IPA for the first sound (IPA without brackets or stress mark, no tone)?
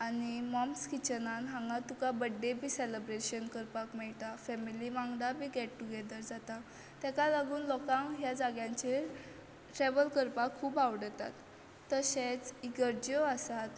a